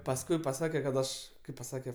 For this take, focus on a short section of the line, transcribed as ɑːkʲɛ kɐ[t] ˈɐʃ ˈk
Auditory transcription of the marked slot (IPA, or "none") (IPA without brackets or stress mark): t